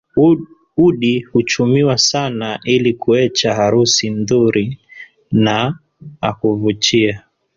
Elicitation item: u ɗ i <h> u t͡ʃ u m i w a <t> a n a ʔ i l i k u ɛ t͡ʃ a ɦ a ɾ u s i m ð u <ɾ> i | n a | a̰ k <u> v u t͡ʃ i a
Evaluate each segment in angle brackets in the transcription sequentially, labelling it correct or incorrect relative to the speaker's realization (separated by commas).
correct, incorrect, correct, correct